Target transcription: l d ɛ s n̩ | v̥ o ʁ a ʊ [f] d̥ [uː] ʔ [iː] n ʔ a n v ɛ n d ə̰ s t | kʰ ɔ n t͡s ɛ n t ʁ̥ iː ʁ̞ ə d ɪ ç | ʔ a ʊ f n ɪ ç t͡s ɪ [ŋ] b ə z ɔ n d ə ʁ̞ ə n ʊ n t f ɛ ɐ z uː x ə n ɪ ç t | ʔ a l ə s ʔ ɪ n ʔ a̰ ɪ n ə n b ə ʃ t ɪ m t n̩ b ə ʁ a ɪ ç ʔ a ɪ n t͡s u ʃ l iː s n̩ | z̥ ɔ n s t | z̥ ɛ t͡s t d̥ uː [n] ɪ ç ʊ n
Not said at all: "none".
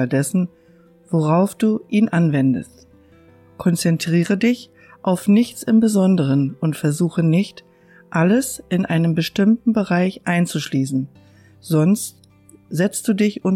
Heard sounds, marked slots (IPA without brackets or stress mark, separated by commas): f, uː, iː, m, d